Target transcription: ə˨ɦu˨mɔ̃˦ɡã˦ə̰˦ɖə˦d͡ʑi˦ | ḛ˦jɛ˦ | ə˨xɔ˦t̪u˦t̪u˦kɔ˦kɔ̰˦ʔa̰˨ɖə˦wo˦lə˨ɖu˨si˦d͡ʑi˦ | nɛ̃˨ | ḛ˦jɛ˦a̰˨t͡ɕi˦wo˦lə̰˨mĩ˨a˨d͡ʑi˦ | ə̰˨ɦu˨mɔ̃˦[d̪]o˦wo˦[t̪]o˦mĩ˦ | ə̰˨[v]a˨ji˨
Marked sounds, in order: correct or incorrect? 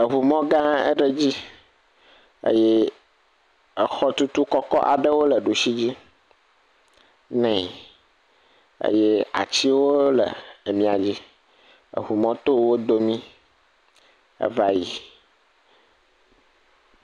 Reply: incorrect, incorrect, correct

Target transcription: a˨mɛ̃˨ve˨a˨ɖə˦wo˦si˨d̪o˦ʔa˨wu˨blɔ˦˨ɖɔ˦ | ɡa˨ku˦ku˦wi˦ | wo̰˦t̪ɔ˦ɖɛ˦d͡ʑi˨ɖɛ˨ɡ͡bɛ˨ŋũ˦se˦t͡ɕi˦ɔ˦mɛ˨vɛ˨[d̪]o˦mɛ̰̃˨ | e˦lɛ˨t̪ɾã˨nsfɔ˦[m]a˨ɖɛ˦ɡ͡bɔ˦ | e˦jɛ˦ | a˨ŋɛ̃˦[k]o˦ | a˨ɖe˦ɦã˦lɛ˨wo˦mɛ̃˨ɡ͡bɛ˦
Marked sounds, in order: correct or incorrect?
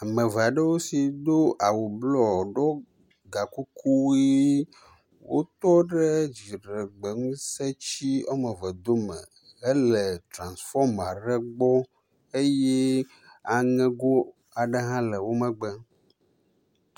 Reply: correct, correct, incorrect

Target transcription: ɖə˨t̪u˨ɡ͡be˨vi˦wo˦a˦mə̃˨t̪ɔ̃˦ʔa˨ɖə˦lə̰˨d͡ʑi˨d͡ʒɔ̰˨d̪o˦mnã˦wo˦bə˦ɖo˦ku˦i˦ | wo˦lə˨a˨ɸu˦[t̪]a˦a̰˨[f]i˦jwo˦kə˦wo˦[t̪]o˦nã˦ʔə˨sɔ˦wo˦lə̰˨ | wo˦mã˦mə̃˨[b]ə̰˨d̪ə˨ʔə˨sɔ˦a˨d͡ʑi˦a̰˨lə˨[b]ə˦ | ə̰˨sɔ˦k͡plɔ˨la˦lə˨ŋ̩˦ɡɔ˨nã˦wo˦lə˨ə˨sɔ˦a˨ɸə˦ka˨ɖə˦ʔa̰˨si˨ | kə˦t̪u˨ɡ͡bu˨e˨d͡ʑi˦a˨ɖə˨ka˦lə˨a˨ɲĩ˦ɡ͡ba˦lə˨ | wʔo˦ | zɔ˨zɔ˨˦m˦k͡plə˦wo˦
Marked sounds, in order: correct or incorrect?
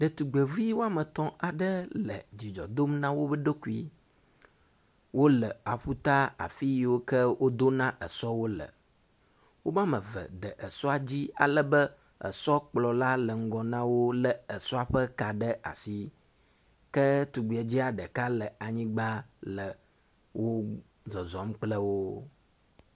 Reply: correct, correct, incorrect, incorrect, correct

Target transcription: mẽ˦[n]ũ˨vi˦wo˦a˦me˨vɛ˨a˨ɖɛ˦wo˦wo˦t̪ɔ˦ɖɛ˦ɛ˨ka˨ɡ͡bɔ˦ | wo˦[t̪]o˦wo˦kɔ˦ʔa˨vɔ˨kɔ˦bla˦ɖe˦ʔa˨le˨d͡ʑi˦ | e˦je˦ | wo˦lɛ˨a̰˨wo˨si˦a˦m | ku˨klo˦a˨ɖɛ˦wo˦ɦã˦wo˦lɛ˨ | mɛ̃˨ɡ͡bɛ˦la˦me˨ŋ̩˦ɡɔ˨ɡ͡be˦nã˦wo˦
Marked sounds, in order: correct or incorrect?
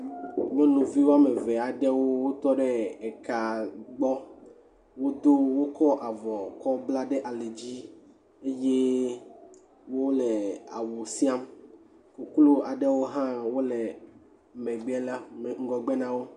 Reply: correct, incorrect

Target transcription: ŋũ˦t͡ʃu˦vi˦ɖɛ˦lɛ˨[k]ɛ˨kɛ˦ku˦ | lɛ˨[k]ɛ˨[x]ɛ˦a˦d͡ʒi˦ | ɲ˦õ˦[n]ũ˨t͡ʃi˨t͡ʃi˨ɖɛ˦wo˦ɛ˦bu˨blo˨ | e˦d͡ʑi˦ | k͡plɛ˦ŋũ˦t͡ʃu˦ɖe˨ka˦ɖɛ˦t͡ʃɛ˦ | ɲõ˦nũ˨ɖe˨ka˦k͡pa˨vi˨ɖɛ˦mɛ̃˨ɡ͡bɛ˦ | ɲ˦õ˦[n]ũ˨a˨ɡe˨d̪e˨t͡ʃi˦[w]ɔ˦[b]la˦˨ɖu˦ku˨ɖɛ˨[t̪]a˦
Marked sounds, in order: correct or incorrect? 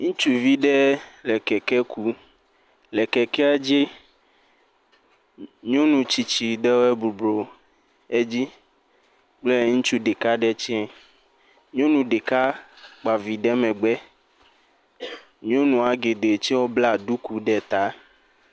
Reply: correct, correct, incorrect, correct, correct, correct, correct, correct

